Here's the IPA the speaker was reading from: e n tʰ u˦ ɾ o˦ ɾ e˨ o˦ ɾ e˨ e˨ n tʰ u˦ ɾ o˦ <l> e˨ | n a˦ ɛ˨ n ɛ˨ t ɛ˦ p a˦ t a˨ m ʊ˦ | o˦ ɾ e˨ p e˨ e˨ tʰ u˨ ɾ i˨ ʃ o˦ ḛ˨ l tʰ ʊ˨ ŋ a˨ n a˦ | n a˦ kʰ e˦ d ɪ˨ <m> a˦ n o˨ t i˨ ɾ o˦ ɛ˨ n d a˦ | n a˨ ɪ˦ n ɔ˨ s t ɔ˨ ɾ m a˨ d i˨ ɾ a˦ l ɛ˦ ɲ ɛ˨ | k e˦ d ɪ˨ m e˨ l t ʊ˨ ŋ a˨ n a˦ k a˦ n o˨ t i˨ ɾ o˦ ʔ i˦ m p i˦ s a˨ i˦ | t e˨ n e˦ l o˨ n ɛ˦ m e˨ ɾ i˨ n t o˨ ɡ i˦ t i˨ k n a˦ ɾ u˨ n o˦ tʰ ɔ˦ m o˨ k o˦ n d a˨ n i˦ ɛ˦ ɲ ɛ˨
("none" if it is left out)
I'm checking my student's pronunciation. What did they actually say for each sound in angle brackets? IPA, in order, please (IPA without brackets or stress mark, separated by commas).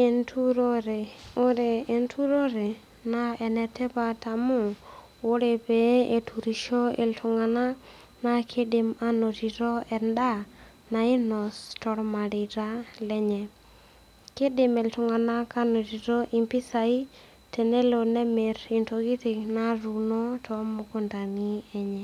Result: ɾ, m